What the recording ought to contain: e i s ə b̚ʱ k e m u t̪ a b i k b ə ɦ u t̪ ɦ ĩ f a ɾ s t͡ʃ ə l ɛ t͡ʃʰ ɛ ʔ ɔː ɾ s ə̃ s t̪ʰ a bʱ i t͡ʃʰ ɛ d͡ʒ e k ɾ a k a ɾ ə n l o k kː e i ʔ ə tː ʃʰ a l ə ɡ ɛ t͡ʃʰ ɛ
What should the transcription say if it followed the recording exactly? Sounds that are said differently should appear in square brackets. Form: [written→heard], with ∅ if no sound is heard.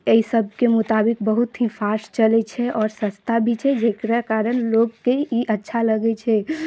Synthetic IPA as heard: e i s ə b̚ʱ k e m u t̪ a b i k b ə ɦ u t̪ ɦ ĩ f a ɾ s t͡ʃ ə l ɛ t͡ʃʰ ɛ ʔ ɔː ɾ s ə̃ s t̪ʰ a bʱ i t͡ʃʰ ɛ d͡ʒ e k ɾ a k a ɾ ə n l o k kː e i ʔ ə tː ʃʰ a l ə ɡ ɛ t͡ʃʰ ɛ